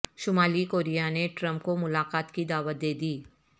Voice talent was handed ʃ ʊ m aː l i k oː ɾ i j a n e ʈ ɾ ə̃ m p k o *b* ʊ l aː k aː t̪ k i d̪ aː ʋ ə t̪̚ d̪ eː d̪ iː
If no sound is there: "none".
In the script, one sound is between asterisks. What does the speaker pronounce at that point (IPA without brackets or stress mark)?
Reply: m